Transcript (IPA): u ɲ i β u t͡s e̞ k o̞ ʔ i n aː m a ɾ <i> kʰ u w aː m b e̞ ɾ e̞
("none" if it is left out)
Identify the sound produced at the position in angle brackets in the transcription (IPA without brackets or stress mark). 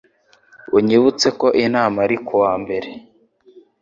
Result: i